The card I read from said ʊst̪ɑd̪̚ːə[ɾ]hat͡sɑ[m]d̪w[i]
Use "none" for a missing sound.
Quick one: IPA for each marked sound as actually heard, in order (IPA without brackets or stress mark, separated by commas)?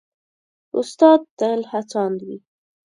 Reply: l, n, i